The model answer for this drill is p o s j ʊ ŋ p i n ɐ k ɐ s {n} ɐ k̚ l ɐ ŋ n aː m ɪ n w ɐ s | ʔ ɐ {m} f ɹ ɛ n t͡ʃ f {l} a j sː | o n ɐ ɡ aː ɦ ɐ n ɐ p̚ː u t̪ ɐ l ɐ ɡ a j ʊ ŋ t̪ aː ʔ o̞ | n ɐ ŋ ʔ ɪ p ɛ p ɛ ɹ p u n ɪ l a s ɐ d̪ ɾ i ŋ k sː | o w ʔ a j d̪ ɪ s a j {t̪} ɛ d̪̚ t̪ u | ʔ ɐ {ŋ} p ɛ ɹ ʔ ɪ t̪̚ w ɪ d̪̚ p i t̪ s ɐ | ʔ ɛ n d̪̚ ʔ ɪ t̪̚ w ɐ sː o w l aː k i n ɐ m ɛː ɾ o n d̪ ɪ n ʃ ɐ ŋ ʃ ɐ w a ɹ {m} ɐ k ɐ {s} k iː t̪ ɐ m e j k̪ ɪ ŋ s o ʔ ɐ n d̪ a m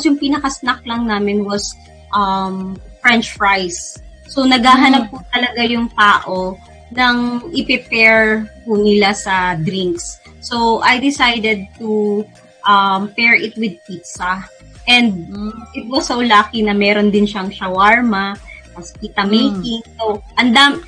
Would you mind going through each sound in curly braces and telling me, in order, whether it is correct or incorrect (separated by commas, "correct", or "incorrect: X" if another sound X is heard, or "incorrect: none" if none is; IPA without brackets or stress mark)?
correct, correct, incorrect: ɹ, incorrect: d̪, incorrect: m, correct, correct